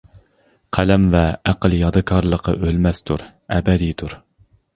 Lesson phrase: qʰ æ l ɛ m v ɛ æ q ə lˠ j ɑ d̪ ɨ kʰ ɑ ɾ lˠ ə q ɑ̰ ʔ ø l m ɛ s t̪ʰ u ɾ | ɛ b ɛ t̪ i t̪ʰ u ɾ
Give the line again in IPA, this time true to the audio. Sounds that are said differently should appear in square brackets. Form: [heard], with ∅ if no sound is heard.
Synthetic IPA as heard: qʰ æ l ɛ m v ɛ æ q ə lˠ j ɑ d̪ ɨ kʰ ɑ ɾ lˠ ə q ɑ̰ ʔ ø l m ɛ s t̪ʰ u ɾ | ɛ b ɛ [d̪] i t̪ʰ u ɾ